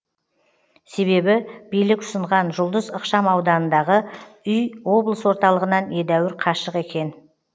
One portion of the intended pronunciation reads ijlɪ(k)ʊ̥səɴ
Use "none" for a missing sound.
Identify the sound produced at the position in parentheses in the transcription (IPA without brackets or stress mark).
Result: k